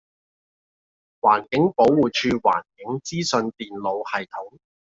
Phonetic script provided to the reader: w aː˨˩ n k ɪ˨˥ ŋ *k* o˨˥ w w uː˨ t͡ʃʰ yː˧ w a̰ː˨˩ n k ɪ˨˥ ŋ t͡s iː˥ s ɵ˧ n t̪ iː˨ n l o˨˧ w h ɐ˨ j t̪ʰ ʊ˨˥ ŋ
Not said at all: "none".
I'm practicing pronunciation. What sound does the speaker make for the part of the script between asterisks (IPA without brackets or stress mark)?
p